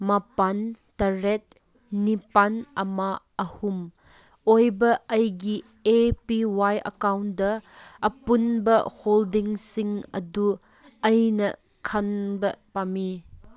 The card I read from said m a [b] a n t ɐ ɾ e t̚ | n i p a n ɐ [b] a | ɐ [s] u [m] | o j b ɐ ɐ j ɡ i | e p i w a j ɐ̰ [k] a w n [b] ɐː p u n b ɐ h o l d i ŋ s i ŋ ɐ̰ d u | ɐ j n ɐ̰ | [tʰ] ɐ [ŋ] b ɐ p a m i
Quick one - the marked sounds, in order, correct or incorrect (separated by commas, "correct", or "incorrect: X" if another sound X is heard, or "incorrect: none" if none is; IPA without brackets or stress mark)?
incorrect: p, incorrect: m, incorrect: h, correct, correct, incorrect: d, incorrect: kʰ, incorrect: n